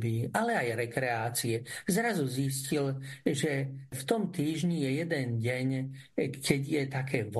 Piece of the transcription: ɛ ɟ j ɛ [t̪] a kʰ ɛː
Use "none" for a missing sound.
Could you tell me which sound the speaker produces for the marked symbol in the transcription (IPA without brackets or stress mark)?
t̪